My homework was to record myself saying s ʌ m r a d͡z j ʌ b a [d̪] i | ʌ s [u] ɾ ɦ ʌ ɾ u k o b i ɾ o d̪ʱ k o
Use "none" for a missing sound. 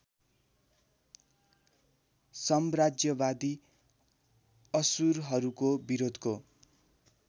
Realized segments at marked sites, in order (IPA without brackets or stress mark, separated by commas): d̪, u